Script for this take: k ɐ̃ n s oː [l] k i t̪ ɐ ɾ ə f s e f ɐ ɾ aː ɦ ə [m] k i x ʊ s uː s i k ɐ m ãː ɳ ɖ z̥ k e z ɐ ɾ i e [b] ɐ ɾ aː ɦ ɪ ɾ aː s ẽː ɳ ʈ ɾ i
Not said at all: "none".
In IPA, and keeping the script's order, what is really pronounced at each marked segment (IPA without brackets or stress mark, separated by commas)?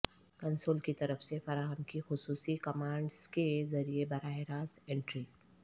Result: l, m, b